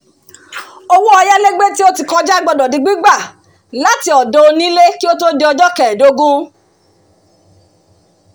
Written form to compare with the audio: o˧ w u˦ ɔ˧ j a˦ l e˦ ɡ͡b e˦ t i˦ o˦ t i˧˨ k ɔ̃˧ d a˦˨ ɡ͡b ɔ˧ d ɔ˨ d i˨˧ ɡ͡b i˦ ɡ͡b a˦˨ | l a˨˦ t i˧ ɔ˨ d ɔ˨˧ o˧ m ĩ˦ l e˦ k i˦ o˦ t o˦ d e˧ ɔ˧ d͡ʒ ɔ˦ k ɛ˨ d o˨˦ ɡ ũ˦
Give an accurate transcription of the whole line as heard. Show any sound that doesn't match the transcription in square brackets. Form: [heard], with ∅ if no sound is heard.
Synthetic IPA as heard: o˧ w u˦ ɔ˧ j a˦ l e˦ ɡ͡b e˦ t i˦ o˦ t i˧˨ k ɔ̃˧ [d͡ʒ] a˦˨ ɡ͡b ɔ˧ d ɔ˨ d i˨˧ ɡ͡b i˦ ɡ͡b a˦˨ | l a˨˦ t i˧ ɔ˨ d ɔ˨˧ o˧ [n] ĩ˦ l e˦ k i˦ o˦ t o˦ d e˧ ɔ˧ d͡ʒ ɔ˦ k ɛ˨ d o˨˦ ɡ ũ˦